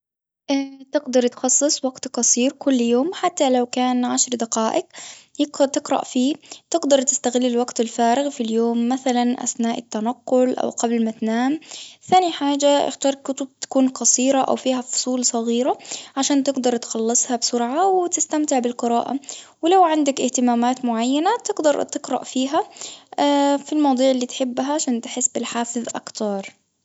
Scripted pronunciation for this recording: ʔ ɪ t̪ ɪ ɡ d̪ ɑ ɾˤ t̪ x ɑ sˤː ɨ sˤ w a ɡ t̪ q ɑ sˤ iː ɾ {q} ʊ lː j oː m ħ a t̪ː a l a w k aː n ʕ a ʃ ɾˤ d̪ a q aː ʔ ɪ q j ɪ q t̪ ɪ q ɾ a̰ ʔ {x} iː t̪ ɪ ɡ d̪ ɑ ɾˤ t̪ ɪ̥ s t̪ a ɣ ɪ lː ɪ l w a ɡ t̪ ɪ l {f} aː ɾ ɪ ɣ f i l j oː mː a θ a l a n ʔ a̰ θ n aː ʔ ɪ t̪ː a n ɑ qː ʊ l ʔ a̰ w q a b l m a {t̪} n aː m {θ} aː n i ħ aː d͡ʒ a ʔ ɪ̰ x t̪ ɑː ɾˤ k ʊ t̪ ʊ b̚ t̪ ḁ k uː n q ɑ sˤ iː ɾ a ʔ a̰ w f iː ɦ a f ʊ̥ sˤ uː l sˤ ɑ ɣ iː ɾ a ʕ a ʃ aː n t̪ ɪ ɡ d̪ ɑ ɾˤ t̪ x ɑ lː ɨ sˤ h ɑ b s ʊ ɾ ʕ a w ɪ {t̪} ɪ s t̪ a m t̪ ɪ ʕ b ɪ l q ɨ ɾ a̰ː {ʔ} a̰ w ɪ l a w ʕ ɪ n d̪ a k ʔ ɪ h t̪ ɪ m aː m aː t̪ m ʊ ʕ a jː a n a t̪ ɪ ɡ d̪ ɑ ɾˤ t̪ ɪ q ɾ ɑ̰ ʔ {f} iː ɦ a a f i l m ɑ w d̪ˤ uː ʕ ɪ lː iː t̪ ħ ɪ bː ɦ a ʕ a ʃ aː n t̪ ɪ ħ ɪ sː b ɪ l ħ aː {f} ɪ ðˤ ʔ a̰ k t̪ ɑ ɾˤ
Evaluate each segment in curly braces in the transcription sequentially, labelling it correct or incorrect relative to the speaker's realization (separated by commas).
incorrect, incorrect, correct, correct, correct, correct, correct, correct, correct